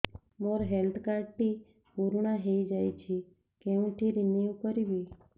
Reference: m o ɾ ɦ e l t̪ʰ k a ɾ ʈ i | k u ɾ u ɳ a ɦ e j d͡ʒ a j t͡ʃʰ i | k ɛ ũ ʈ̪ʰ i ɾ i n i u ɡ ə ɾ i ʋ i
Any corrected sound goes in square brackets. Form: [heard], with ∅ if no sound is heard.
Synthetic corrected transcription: m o ɾ ɦ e l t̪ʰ k a ɾ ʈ i | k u ɾ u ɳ a ɦ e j d͡ʒ a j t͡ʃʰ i | k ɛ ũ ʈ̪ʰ i ɾ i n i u [k] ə ɾ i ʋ i